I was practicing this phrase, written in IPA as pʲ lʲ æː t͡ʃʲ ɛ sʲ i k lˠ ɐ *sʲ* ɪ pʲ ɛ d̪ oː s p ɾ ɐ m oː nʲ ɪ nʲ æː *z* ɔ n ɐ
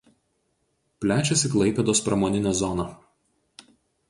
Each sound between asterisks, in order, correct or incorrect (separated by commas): incorrect, correct